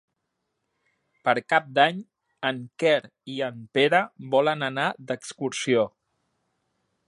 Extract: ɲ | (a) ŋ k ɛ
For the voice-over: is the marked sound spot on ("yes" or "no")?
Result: no